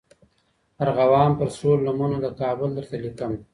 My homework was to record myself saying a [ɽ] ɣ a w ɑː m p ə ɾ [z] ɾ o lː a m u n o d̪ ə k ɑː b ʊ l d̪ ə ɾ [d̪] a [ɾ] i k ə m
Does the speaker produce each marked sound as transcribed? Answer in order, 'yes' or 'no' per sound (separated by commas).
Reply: no, no, no, no